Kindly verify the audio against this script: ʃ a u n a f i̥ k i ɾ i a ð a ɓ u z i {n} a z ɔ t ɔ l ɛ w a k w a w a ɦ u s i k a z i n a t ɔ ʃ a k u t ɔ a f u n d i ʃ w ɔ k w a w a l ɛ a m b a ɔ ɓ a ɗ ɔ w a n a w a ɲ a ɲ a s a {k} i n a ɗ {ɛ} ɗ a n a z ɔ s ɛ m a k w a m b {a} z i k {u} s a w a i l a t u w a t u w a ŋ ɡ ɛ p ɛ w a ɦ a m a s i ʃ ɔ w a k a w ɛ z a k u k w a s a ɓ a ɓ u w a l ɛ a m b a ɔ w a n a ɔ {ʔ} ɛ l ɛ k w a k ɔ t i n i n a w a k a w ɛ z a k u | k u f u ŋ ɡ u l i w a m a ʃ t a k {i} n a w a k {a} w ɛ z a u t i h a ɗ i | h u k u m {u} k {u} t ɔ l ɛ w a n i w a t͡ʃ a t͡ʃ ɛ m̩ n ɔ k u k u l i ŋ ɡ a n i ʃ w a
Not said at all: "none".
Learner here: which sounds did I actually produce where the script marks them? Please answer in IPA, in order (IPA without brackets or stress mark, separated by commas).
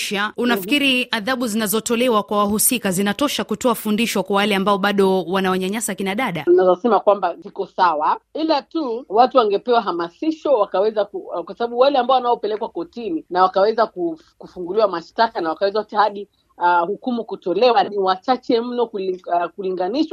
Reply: n, k, a, a, ɔ, p, a, a, u, u